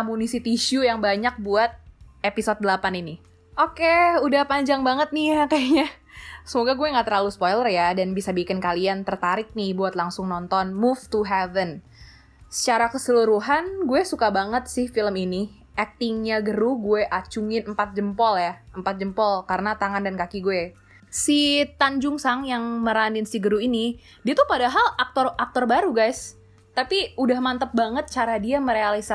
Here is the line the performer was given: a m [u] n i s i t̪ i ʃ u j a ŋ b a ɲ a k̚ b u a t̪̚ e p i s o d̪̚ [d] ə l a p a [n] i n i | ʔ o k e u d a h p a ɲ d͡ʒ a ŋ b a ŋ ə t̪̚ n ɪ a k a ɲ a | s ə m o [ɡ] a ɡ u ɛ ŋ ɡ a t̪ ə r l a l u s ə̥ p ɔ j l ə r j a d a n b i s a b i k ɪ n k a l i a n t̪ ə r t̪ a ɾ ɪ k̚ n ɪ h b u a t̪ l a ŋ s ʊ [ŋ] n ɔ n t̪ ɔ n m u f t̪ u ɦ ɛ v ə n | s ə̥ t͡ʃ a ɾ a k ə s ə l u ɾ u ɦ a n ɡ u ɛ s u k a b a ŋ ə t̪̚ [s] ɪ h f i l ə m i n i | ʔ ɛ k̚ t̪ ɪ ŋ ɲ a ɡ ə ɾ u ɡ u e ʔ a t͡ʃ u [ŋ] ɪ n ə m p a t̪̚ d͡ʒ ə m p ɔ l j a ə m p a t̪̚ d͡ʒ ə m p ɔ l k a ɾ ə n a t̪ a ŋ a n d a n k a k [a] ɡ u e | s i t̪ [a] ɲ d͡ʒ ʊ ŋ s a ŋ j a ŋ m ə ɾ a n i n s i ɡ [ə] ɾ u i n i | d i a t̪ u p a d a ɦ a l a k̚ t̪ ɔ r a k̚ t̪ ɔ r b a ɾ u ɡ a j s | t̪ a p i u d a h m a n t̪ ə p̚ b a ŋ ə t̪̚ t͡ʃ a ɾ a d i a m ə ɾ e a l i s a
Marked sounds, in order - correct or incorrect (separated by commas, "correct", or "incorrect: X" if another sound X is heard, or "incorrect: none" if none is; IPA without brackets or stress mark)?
correct, correct, correct, correct, correct, correct, correct, incorrect: i, correct, correct